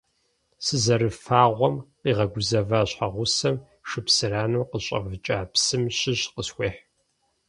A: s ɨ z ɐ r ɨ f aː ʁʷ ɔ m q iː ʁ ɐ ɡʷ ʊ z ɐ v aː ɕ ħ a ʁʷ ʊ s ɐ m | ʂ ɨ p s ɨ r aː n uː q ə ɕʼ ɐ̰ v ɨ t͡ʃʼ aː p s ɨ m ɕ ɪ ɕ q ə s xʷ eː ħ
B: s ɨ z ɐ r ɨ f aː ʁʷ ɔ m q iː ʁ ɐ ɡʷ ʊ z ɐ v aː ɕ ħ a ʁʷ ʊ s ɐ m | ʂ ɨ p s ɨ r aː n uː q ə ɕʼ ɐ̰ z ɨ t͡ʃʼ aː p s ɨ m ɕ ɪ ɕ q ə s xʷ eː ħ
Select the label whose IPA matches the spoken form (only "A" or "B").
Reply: A